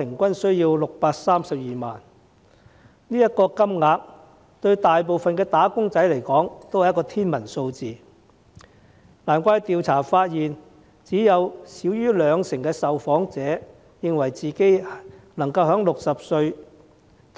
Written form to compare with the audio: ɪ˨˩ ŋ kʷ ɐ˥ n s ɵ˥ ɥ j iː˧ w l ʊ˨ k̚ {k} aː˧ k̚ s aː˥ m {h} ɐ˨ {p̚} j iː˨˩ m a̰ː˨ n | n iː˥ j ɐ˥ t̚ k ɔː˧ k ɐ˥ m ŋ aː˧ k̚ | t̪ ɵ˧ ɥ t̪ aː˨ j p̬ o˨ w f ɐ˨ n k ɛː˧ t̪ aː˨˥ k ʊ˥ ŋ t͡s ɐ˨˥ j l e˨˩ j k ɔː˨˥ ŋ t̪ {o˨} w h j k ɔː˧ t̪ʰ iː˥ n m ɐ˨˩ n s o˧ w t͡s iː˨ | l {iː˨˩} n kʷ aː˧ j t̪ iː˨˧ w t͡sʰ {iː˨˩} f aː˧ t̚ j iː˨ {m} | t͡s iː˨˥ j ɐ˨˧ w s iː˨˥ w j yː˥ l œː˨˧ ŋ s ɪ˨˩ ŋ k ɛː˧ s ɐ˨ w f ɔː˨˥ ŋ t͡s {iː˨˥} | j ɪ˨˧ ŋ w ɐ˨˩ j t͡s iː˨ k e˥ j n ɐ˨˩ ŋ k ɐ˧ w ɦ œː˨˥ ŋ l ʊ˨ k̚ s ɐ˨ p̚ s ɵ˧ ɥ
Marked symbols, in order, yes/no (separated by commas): no, no, yes, no, no, no, no, no